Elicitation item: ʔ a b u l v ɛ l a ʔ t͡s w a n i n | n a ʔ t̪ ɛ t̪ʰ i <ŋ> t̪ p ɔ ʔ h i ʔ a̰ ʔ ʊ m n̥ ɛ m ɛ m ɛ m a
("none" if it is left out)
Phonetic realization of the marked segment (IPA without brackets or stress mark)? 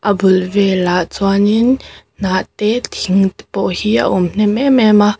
ŋ